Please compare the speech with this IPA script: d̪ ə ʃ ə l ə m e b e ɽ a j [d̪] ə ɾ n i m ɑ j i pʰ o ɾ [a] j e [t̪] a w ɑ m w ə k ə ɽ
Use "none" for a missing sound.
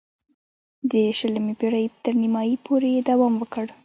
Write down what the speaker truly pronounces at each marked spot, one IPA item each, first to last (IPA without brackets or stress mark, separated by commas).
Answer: t̪, e, d̪